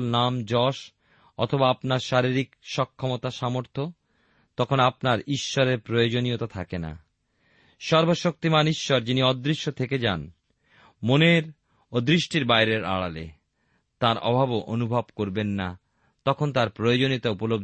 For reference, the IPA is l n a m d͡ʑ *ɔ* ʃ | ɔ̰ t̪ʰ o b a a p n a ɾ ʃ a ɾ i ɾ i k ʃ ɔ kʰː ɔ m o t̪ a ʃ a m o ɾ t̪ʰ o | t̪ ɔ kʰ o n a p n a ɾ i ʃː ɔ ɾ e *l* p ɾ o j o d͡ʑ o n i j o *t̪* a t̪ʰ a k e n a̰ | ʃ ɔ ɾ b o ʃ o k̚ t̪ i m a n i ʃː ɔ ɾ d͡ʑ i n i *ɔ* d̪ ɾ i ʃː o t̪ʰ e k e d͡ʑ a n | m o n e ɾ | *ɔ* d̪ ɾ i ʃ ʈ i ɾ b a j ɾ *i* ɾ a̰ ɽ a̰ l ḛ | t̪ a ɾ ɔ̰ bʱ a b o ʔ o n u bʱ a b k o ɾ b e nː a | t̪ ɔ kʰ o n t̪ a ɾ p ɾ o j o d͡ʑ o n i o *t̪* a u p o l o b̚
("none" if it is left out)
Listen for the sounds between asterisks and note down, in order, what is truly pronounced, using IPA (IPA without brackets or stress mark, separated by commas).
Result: ɔ, ɾ, t̪, ɔ, o, e, t̪